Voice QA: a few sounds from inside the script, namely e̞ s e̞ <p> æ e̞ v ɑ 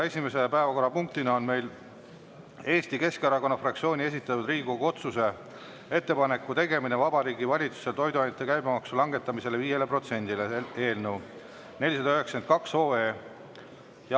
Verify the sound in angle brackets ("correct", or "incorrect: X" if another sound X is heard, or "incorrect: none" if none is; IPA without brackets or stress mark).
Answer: correct